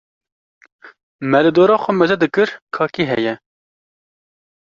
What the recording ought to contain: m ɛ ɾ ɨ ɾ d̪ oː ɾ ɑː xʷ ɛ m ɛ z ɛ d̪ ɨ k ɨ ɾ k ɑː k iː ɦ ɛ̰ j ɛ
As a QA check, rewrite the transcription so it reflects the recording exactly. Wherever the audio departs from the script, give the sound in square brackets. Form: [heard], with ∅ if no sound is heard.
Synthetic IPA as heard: m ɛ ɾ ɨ [∅] d̪ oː ɾ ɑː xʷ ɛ m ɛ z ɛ d̪ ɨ k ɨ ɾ [kʰ] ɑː k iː ɦ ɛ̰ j ɛ